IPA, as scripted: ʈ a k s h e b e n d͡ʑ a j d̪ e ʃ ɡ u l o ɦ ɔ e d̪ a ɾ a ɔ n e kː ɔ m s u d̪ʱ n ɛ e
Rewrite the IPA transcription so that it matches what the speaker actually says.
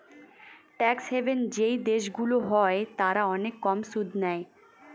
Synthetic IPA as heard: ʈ ɛ k s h e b e n d͡ʑ e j d̪ e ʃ ɡ u l o ɦ ɔ e t̪ a ɾ a ɔ n e kː ɔ m s u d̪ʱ n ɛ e